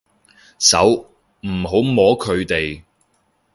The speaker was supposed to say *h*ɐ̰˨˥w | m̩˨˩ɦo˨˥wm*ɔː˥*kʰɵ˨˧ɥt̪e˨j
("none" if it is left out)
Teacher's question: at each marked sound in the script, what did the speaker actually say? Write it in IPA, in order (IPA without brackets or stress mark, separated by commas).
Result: s, ɔː˨˥